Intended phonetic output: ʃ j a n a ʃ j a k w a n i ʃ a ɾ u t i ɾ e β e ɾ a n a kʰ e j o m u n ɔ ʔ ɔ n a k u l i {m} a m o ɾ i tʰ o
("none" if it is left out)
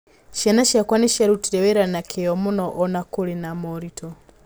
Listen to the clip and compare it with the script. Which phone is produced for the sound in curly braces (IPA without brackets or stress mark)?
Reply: n